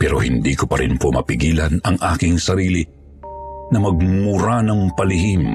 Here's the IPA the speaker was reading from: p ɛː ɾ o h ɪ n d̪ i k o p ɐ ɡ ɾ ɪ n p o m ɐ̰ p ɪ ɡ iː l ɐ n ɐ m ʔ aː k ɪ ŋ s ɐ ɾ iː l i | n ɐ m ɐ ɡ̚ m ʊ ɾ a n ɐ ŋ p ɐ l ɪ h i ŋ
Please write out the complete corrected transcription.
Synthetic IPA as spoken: p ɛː ɾ o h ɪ n d̪ i k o p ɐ ɾ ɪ n p o m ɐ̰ p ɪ ɡ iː l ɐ n ɐ ŋ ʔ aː k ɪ ŋ s ɐ ɾ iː l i | n ɐ m ɐ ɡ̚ m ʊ ɾ a n ɐ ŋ p ɐ l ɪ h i m